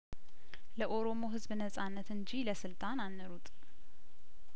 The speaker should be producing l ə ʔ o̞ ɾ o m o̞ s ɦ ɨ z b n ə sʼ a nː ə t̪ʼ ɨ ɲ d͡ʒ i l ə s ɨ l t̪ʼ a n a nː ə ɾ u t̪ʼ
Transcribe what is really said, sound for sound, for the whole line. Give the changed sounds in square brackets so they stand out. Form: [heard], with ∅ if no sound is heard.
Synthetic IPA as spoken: l ə ʔ o̞ ɾ o m o̞ [∅] ɦ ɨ z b n ə sʼ a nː ə [t̪] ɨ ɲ d͡ʒ i l ə s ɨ l t̪ʼ a n a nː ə ɾ u t̪ʼ